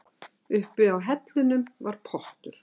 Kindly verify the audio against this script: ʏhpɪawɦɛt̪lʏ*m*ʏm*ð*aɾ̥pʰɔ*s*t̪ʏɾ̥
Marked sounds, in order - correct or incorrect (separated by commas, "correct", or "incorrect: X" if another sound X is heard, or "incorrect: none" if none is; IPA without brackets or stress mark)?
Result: incorrect: n, incorrect: v, incorrect: h